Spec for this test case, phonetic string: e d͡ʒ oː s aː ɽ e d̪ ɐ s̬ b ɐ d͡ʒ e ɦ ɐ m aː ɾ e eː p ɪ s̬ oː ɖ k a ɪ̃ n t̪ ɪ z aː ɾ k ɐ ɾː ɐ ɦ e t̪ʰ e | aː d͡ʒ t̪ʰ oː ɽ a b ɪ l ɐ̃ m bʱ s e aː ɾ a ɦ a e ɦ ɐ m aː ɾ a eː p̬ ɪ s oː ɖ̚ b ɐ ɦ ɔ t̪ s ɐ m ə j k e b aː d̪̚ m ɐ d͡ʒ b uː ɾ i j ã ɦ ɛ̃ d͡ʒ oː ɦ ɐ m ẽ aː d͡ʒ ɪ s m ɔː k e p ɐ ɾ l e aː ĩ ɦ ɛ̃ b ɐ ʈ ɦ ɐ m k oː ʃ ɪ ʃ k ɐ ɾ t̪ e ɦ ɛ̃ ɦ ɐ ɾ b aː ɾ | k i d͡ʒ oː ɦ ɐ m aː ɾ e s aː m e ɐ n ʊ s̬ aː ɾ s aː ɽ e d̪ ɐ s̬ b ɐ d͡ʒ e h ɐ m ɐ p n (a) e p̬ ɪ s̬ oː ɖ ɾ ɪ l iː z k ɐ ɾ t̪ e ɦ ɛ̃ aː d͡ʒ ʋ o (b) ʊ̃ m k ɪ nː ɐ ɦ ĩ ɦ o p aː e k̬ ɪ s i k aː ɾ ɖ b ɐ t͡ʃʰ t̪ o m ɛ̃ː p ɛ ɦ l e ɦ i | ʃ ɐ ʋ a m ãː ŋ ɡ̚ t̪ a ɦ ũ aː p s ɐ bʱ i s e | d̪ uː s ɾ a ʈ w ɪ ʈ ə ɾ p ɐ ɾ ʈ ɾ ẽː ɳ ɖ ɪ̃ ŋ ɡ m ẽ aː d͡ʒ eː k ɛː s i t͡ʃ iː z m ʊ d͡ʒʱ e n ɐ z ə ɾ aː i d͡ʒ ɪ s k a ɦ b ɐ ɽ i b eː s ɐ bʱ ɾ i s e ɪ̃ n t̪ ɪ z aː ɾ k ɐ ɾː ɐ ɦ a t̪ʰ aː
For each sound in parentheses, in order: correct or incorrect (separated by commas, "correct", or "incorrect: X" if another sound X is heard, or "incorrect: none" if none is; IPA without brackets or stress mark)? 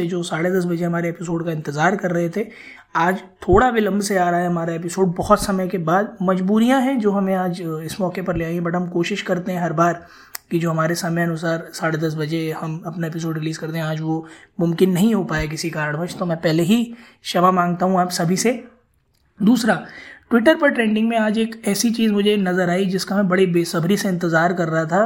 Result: correct, incorrect: m